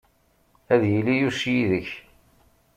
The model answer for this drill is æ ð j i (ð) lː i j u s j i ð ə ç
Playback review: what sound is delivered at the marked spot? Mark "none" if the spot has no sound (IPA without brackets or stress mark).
none